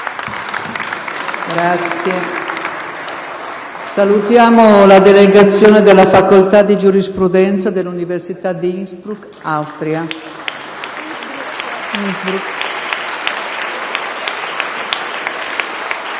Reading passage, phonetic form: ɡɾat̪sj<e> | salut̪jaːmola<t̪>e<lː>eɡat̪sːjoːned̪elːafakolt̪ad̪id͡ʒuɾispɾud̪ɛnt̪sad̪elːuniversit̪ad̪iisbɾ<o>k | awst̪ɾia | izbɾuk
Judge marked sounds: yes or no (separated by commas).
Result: yes, no, no, no